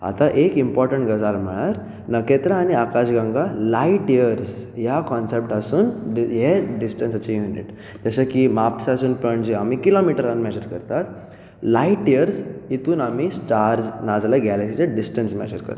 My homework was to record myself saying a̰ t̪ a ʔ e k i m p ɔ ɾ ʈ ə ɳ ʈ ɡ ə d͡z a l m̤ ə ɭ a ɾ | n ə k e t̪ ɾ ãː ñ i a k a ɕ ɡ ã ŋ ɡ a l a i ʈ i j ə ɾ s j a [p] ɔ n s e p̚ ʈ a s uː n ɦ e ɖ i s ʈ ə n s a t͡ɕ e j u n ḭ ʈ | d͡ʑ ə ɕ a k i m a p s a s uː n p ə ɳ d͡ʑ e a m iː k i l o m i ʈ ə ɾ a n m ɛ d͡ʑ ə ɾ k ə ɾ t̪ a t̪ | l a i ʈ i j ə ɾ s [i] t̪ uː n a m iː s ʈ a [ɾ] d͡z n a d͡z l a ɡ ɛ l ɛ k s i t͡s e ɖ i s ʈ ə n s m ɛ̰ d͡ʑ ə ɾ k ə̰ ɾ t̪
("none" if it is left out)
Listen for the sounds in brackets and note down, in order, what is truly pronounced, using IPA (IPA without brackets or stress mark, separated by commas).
k, i, ɾ